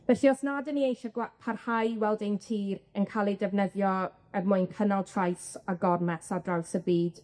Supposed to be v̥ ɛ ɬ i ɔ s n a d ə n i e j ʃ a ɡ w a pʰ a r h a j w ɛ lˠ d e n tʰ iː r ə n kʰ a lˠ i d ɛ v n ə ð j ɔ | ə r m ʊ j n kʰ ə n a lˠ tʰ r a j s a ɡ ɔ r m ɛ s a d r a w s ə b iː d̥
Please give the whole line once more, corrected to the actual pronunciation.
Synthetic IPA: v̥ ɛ ɬ i ɔ s n a d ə n i e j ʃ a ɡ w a pʰ a r h a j w ɛ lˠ d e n tʰ iː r ə n kʰ a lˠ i d ɛ v n ə ð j ɔ | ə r m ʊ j n kʰ ə n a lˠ tʰ r a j s a ɡ ɔ r m ɛ s a d r a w s ə b iː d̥